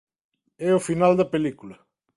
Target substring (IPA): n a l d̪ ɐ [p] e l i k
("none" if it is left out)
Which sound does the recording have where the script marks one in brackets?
p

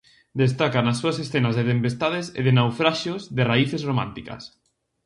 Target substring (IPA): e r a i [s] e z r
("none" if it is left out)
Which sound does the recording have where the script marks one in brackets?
θ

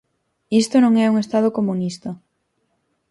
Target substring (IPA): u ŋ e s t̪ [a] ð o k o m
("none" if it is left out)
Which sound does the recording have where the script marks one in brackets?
a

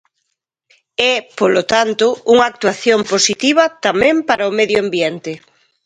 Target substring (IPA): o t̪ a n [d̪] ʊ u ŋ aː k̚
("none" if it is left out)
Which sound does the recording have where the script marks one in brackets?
t̪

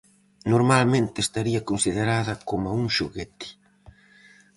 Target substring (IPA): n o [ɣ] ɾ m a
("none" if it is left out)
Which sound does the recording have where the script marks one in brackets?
none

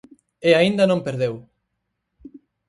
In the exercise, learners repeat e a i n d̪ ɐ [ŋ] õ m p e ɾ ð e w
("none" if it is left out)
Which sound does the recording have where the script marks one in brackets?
n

